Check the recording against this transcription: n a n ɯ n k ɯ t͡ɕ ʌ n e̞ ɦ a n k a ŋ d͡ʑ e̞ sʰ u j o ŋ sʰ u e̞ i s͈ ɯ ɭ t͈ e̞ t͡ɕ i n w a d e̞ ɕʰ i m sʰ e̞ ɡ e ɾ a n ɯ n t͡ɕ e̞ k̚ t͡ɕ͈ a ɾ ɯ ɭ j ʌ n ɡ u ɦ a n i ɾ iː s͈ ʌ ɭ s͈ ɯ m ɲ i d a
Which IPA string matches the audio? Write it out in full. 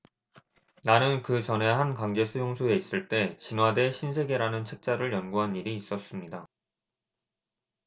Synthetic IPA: n a n ɯ n k ɯ t͡ɕ ʌ n e̞ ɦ a n k a ŋ d͡ʑ e̞ sʰ u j o ŋ sʰ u e̞ i s͈ ɯ ɭ t͈ e̞ t͡ɕ i n w a d e̞ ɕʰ i n sʰ e̞ ɡ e ɾ a n ɯ n t͡ɕʰ e̞ k̚ t͡ɕ͈ a ɾ ɯ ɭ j ʌ n ɡ u ɦ a n i ɾ iː s͈ ʌ s͈ ɯ m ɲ i d a